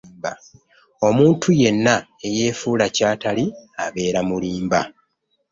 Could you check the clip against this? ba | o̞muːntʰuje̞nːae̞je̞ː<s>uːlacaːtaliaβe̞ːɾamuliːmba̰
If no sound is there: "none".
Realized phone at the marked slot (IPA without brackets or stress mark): f